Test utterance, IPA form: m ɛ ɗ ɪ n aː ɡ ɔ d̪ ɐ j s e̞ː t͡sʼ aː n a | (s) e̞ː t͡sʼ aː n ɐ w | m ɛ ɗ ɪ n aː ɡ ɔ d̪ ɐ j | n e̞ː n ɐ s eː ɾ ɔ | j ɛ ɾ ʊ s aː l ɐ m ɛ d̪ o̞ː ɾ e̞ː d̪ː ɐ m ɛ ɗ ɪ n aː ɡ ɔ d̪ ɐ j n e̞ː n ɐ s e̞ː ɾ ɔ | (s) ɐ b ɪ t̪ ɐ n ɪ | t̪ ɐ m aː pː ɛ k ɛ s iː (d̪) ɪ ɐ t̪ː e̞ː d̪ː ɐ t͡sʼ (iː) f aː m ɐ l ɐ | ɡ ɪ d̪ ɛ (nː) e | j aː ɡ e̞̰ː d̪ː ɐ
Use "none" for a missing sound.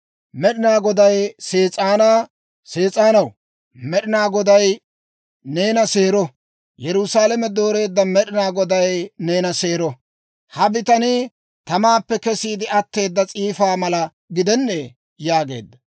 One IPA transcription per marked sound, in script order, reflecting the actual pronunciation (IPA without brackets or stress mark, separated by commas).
s, h, d̪, iː, nː